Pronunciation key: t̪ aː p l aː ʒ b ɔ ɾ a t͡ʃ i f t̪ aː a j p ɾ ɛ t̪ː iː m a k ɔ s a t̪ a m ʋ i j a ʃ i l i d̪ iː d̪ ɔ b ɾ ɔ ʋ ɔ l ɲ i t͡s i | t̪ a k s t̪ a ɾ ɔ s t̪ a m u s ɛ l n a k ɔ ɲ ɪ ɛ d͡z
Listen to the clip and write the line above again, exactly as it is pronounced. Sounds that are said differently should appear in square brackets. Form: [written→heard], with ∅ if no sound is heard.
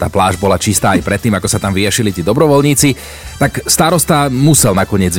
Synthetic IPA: t̪ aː p l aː ʒ b ɔ [ɾ→l] a t͡ʃ i [f→s] t̪ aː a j p ɾ ɛ t̪ː iː m a k ɔ s a t̪ a m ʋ i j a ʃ i l i [d̪→t̪] iː d̪ ɔ b ɾ ɔ ʋ ɔ l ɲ [i→iː] t͡s i | t̪ a k s t̪ a ɾ ɔ s t̪ a m u s ɛ l n a k ɔ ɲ ɪ ɛ d͡z